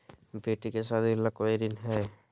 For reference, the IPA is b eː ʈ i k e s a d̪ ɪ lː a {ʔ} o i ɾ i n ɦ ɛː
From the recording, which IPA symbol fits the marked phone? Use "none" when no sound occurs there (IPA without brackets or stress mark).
k